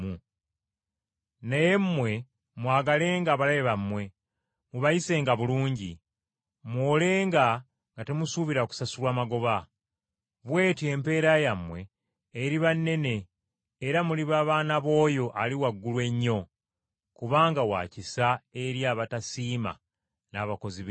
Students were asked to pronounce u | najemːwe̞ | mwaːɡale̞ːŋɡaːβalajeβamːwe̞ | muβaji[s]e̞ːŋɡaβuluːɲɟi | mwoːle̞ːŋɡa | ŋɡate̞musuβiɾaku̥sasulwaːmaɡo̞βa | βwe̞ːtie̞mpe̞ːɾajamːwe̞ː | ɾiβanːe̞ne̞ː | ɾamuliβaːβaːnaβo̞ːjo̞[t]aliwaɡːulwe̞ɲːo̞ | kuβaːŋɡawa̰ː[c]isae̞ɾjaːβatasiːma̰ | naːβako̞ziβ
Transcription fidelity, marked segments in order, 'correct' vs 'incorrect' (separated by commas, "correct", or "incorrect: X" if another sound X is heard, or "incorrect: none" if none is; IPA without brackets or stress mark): correct, incorrect: ʔ, correct